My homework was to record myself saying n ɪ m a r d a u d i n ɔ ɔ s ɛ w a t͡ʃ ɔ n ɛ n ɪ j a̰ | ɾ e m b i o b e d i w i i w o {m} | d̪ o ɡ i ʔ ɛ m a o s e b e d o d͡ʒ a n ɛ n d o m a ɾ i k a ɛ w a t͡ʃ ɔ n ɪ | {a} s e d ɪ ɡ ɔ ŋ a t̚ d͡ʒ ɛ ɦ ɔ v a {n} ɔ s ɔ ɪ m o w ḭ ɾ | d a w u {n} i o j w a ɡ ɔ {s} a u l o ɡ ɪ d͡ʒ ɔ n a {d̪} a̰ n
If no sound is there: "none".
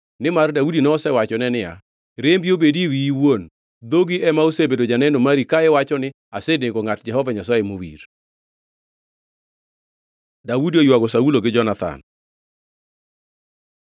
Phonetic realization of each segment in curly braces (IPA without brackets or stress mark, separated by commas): n, a, ɲ, d, s, t̪